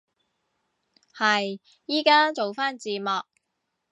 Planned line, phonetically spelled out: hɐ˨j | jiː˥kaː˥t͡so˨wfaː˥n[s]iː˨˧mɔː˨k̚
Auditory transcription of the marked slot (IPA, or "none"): t͡s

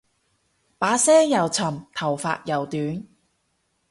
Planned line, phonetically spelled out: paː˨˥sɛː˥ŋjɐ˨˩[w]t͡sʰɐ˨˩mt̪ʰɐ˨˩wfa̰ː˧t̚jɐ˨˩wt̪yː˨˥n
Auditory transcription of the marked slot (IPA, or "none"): w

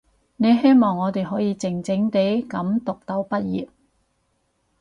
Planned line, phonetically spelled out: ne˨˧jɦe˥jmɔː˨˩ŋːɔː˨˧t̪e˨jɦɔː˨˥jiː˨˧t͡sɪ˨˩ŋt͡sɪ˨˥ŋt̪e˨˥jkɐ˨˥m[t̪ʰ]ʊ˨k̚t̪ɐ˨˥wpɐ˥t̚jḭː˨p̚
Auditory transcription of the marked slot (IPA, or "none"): t̪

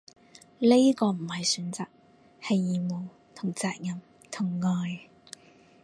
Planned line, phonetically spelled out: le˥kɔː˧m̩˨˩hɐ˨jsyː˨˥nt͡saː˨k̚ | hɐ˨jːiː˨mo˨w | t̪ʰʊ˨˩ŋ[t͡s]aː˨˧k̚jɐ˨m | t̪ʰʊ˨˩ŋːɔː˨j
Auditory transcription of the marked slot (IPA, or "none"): t͡s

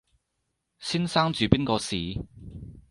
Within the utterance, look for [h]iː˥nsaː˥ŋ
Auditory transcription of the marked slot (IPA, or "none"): s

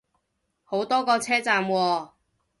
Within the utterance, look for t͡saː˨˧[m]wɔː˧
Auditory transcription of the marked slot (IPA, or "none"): m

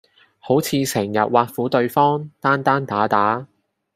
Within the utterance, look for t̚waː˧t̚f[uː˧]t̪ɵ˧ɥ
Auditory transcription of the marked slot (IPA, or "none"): uː˨˥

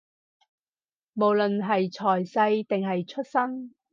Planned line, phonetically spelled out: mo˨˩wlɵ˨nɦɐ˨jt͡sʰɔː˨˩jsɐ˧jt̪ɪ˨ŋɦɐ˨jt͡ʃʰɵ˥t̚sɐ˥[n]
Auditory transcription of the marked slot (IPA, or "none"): ŋ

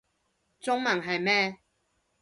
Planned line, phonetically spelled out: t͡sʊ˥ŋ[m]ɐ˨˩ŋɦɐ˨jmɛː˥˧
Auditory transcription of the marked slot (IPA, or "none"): m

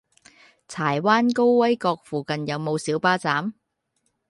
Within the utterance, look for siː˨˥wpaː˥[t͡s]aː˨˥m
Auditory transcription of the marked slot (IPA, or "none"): t͡s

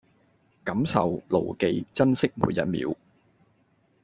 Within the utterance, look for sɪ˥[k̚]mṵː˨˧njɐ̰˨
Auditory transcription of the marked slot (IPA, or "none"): k̚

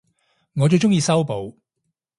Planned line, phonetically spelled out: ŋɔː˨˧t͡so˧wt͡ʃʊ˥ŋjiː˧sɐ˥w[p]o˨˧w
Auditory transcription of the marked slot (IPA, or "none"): p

